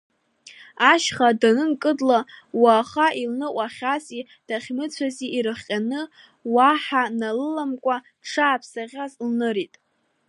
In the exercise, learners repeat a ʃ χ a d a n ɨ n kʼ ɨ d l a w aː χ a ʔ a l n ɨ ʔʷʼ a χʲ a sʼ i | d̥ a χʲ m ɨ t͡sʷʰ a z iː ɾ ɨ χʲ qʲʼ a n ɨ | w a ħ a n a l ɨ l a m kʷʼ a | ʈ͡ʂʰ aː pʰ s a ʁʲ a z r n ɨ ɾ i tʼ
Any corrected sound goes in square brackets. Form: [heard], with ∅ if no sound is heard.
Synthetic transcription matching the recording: a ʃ χ a d a n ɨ n kʼ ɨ d l a w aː χ a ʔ [i] l n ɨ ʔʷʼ a χʲ a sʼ i | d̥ a χʲ m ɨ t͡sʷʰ a z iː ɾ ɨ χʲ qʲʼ a n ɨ | w a ħ a n a l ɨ l a m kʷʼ a | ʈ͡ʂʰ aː pʰ s a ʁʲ a z [l] n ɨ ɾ i tʼ